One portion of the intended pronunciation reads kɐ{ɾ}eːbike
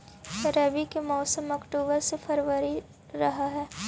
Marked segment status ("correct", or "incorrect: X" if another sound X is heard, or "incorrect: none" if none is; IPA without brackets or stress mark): correct